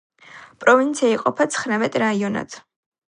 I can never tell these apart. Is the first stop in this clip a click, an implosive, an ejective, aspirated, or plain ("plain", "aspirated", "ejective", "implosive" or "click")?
ejective